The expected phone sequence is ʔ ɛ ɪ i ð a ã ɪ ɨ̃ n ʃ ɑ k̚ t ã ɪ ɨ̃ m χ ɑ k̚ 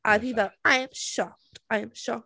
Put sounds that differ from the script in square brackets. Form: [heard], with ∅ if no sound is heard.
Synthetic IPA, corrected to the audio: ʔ [a] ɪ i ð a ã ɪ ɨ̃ [m] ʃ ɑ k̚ t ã ɪ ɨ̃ m [ʃ] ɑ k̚